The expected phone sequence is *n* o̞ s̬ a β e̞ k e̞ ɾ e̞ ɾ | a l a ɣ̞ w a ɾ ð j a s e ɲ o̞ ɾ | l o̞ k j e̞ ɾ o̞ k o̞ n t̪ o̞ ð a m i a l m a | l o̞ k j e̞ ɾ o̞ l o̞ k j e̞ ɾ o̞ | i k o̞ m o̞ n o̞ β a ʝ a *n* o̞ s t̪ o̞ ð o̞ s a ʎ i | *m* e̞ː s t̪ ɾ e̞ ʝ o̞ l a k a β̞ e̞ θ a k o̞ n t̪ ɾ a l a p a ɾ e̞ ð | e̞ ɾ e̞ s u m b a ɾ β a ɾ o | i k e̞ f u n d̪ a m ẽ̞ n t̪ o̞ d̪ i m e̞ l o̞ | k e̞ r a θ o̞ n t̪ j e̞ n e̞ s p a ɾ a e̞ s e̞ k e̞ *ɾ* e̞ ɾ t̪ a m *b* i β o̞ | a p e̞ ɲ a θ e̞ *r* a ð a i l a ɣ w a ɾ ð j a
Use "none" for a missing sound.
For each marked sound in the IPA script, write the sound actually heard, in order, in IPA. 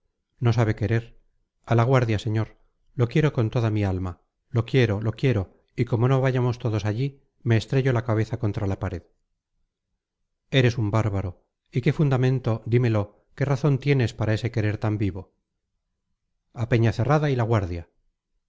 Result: n, m, m, ɾ, b, r

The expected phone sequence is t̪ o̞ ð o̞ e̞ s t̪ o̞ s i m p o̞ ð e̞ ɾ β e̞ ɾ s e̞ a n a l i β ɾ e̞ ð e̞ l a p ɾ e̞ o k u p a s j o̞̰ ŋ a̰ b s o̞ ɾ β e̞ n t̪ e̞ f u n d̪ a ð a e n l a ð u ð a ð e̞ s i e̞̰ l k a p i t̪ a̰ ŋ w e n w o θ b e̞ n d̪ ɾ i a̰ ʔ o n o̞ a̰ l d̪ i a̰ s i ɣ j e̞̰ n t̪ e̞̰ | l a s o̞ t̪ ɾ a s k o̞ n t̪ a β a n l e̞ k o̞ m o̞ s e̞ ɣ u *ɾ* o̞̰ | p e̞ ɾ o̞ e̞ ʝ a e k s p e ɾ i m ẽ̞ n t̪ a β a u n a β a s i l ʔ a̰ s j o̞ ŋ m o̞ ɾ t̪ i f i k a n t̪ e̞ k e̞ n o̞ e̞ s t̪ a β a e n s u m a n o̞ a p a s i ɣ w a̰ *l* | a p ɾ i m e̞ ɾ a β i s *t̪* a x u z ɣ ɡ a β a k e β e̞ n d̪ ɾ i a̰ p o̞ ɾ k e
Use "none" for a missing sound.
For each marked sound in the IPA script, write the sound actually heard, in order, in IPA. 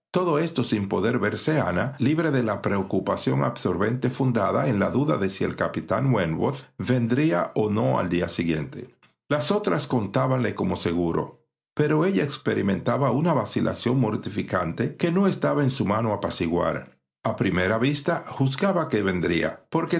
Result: ɾ, ɾ, t̪

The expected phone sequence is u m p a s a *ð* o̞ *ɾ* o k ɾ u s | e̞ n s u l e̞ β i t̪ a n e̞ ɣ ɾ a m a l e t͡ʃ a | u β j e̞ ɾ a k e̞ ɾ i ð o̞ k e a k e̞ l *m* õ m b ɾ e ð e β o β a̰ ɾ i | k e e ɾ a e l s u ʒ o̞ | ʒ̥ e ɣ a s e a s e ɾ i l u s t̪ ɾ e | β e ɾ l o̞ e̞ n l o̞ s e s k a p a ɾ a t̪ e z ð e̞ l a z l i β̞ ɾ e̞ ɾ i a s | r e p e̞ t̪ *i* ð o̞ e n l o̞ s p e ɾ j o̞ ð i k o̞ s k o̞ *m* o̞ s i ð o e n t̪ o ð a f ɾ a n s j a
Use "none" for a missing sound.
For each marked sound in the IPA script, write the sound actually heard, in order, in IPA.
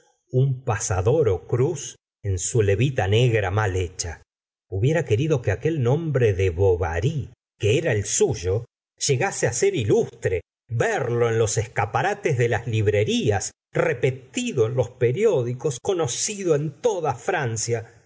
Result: ð, ɾ, n, i, n

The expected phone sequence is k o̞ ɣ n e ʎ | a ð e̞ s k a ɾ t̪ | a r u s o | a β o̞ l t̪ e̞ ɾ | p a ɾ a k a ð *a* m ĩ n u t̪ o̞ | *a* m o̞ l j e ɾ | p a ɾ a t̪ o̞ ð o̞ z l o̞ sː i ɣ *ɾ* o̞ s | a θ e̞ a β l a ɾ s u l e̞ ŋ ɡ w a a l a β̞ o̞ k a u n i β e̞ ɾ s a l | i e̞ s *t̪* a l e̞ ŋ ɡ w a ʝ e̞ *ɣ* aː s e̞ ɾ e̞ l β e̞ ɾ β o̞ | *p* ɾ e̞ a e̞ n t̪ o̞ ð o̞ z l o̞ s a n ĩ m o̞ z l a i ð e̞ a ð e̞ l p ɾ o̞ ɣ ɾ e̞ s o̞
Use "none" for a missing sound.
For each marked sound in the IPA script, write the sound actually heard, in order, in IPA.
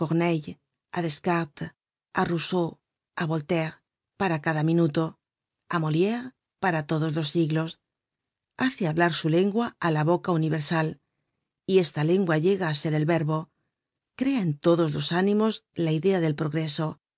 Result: a, a, l, t̪, ɣ, k

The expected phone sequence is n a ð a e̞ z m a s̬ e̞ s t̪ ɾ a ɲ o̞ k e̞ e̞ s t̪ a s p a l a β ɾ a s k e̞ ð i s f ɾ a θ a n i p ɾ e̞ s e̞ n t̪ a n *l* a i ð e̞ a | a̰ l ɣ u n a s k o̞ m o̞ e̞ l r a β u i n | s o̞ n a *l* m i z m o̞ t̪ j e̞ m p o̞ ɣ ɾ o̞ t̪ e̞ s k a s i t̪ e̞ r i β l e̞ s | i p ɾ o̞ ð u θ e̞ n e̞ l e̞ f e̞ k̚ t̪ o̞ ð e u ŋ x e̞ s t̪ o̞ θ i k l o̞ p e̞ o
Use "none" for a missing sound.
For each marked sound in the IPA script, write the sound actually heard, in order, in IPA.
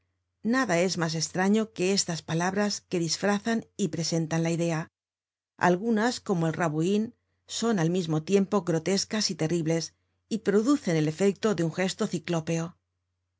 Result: l, l

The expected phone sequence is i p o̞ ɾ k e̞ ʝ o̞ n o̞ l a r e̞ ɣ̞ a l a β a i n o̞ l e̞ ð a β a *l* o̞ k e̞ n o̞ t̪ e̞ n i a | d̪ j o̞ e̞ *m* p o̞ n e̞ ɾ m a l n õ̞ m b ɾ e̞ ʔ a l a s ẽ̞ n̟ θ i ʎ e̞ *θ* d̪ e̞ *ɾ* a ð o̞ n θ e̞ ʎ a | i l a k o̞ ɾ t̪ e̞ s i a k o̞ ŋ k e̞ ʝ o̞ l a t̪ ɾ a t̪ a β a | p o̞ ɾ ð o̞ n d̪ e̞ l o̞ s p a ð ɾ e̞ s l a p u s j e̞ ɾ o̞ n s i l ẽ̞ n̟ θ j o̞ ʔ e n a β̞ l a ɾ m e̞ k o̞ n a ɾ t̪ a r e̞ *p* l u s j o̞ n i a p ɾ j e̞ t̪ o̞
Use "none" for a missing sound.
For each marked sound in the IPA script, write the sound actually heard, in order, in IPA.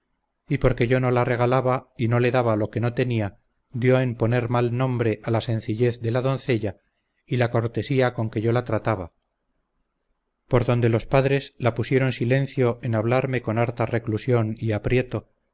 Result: l, m, θ, l, k

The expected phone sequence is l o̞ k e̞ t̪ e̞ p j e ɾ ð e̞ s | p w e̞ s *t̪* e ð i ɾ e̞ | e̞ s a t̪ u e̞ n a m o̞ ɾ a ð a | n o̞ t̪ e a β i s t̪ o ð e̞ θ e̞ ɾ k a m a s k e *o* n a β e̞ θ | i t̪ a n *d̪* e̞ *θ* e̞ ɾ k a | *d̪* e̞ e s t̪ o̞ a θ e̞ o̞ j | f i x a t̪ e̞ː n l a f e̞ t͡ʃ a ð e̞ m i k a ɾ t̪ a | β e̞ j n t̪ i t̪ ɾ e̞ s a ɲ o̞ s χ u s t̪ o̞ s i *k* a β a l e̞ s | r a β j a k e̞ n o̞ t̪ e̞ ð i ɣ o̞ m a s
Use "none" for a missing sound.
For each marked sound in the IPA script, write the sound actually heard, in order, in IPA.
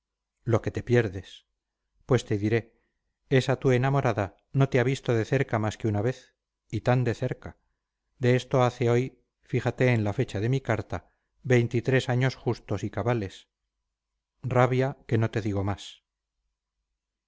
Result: t̪, u, d̪, θ, d̪, k

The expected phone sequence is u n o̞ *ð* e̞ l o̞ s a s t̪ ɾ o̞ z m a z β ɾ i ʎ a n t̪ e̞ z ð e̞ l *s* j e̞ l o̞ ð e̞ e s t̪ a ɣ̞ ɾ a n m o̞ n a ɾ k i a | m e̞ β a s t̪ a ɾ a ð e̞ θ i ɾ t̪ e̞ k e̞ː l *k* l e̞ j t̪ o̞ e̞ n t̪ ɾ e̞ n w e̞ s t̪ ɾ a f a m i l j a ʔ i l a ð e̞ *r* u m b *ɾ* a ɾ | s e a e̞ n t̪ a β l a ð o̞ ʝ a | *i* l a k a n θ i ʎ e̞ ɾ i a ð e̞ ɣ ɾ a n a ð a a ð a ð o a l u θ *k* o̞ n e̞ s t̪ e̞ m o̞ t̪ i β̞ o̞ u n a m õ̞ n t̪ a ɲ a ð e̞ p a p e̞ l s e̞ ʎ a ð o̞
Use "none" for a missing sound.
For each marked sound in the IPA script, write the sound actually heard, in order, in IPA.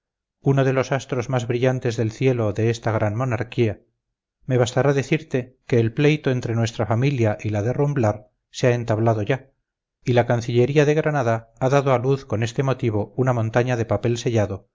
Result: ð, θ, p, r, l, i, k

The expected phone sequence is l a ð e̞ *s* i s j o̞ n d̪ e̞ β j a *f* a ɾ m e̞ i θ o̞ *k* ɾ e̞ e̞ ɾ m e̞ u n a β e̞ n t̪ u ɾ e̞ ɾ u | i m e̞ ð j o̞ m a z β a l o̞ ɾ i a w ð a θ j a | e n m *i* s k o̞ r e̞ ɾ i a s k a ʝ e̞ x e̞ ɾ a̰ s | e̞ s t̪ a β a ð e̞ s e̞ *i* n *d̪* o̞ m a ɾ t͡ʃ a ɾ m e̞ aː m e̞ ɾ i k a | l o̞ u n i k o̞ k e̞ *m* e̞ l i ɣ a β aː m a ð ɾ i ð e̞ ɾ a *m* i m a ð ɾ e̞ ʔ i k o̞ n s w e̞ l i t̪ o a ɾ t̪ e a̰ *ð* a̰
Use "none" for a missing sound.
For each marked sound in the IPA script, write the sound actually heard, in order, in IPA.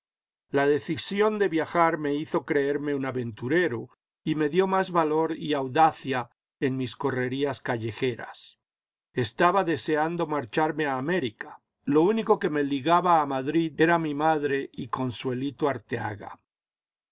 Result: θ, x, k, i, a, d̪, m, m, ɣ

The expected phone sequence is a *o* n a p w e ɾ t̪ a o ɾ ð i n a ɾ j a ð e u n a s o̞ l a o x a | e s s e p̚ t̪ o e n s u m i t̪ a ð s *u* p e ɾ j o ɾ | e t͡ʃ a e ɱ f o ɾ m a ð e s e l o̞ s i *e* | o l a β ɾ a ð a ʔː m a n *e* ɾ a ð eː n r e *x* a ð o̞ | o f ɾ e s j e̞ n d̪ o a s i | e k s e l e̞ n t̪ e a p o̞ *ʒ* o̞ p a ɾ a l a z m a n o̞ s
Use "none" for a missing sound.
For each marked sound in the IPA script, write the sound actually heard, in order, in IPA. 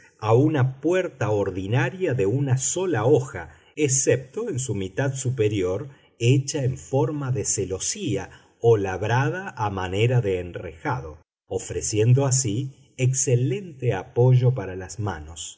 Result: u, u, a, e, x, ʒ

